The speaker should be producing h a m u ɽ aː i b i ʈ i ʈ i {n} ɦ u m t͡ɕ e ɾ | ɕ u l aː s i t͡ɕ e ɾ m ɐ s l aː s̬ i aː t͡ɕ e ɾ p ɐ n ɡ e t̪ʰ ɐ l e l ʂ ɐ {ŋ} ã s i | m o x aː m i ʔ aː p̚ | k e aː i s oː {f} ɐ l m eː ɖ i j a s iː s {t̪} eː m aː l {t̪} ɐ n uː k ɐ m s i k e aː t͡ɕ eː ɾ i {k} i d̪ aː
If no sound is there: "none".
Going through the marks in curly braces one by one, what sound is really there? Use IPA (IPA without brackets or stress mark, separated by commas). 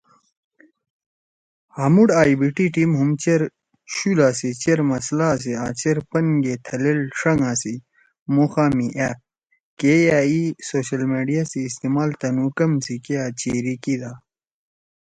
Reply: m, ŋ, ɕ, t̪, t̪, k